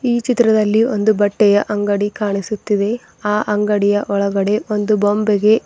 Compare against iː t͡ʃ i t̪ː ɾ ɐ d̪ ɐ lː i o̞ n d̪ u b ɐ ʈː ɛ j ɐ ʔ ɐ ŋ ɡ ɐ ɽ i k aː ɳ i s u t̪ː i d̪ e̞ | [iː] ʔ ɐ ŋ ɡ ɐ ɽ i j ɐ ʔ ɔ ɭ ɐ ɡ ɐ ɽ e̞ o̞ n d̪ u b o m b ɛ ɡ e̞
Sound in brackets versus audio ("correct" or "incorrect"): incorrect